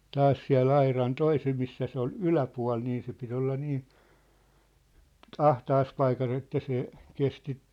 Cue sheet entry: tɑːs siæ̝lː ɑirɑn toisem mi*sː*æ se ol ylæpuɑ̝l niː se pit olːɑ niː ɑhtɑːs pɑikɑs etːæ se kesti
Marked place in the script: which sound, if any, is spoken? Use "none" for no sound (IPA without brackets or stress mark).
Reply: sː